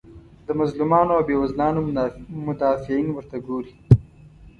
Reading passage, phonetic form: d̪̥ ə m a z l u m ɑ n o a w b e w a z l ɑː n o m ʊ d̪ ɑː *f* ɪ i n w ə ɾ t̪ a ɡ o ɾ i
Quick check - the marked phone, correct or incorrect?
correct